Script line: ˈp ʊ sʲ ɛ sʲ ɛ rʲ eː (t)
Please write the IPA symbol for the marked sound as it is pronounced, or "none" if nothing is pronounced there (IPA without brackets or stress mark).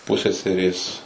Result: s